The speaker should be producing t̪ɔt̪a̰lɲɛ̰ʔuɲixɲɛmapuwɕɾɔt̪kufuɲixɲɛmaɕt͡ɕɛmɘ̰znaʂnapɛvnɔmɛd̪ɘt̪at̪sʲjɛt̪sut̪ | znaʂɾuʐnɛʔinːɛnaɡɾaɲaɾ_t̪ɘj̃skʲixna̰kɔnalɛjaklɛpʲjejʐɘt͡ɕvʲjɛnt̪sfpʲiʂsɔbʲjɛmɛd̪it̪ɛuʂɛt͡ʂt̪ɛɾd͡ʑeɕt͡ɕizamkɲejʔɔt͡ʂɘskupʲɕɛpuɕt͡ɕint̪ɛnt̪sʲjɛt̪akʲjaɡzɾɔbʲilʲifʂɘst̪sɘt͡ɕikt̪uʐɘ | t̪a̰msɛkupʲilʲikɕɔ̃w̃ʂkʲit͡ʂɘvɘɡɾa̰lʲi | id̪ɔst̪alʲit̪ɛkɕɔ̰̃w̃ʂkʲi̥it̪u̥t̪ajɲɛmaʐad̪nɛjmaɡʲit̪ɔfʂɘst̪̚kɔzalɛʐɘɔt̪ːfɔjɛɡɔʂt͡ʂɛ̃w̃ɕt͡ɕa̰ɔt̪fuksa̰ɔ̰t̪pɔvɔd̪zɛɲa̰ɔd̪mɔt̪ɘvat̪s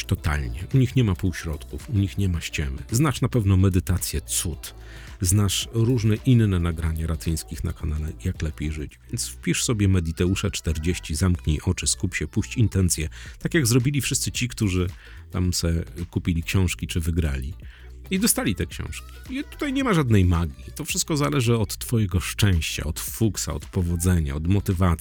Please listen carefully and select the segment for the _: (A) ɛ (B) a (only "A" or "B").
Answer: B